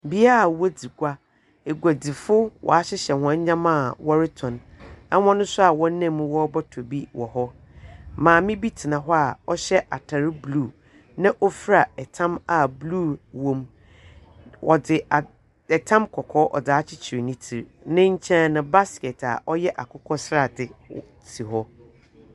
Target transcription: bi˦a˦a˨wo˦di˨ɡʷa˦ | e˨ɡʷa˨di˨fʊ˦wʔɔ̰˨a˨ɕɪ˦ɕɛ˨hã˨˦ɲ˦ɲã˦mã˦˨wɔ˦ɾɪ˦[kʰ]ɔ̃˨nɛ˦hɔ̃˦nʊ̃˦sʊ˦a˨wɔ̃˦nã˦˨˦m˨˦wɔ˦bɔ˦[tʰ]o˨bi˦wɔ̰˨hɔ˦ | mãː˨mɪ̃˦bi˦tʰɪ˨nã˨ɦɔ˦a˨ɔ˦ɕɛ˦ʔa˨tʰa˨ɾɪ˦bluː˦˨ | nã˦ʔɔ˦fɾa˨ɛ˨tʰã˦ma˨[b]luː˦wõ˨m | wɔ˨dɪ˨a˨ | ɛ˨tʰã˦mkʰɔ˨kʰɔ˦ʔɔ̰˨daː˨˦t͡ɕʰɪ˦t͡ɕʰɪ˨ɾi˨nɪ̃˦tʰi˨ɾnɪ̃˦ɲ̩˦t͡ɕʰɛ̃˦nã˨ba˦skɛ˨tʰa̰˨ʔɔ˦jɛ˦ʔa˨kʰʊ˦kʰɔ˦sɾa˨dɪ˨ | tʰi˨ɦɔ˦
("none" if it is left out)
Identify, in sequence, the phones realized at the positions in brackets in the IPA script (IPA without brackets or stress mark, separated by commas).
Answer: tʰ, tʰ, b